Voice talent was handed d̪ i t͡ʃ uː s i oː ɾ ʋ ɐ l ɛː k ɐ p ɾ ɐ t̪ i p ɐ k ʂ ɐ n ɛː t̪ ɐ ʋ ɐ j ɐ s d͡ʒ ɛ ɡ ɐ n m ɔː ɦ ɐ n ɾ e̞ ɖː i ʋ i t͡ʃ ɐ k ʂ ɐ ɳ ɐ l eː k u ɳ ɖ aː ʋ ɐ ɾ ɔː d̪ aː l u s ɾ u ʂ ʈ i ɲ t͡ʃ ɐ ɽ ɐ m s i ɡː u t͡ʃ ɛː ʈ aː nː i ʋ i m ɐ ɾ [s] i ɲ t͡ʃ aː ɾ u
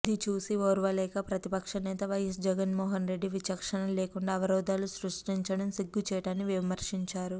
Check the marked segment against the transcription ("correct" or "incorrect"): incorrect